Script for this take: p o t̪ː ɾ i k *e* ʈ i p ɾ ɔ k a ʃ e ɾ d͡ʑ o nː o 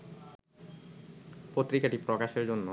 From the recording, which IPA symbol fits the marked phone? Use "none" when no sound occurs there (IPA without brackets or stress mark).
a